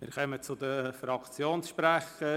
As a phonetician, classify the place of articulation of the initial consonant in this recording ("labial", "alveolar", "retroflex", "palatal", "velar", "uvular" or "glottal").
labial